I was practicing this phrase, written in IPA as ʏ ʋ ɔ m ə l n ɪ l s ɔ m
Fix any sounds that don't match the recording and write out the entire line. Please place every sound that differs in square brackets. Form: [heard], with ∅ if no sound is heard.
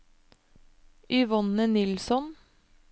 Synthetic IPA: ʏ ʋ ɔ [n] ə [∅] n ɪ l s ɔ [n]